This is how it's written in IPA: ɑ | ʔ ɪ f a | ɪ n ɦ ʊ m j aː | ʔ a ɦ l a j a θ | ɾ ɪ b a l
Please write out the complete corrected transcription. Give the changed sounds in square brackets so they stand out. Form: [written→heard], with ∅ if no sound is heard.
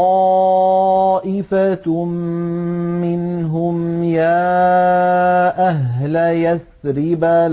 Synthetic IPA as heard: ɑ | ʔ ɪ f a | ɪ n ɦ ʊ m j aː | ʔ a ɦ l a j a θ | ɾ ɪ b a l